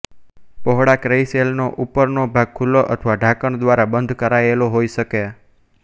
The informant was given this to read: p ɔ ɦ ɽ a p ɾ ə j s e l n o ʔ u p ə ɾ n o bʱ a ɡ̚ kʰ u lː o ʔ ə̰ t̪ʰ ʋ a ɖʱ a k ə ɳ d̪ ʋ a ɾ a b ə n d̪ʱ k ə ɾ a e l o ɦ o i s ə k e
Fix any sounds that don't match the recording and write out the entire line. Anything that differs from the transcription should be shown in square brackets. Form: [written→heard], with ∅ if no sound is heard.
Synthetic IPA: p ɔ ɦ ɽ a [p→k] ɾ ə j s e l n o ʔ u p ə ɾ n o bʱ a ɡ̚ kʰ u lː o ʔ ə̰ t̪ʰ ʋ a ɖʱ a k ə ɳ d̪ ʋ a ɾ a b ə n d̪ʱ k ə ɾ a e l o ɦ o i [s→ʃ] ə k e